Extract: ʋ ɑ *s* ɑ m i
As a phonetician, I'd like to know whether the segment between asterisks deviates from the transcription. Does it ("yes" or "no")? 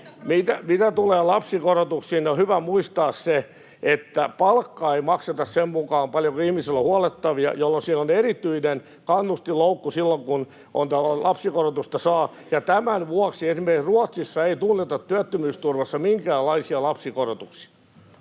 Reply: yes